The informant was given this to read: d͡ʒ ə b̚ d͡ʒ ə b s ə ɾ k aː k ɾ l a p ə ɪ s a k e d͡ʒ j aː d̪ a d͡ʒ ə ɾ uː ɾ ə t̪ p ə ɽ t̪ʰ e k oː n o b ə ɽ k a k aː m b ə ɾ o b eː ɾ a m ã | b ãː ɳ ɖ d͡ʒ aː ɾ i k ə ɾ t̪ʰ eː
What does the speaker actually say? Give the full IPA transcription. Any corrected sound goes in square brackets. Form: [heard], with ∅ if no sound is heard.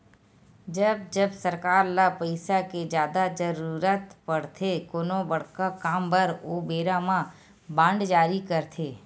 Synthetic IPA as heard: d͡ʒ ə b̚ d͡ʒ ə b s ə ɾ k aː [∅] ɾ l a p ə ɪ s a k e d͡ʒ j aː d̪ a d͡ʒ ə ɾ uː ɾ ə t̪ p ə ɽ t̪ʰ e k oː n o b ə ɽ k a k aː m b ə ɾ o b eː ɾ a m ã | b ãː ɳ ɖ d͡ʒ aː ɾ i k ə ɾ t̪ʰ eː